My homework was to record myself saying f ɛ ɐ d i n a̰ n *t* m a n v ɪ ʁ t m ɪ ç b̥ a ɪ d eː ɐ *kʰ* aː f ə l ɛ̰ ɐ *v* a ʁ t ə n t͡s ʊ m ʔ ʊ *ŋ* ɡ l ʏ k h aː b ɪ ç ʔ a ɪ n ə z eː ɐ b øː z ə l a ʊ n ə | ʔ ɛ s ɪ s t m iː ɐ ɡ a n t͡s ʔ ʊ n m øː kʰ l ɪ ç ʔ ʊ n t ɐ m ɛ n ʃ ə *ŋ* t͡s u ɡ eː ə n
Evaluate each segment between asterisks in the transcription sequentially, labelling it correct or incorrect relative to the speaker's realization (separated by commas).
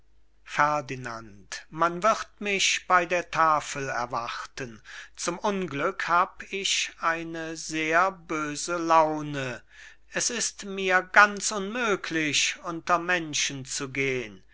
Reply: correct, incorrect, correct, incorrect, incorrect